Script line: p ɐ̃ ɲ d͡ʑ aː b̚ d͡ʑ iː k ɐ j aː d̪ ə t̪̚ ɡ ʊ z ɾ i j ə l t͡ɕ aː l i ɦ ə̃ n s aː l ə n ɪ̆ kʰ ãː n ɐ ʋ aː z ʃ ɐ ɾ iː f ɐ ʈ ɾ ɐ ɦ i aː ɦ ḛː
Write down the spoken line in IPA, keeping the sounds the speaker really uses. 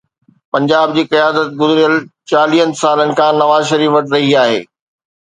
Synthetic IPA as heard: p ɐ̃ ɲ d͡ʑ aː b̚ d͡ʑ iː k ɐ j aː d̪ ə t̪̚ ɡ ʊ z ɾ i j ə l t͡ɕ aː l i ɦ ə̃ n s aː l ə n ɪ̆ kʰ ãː n ɐ ʋ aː z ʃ ɐ ɾ iː f ɐ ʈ ɾ ɐ ɦ i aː ɦ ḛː